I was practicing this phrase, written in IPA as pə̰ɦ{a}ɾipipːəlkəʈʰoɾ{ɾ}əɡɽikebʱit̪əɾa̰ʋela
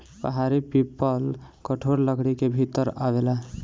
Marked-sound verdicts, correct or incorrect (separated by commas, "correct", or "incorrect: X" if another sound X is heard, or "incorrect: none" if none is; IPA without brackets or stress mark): correct, incorrect: l